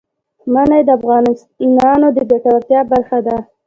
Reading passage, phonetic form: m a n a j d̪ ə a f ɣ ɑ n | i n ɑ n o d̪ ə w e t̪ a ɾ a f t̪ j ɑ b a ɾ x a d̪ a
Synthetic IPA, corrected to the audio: m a n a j d̪ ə a f ɣ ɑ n | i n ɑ n o d̪ ə b e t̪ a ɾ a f t̪ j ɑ b a ɾ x a d̪ a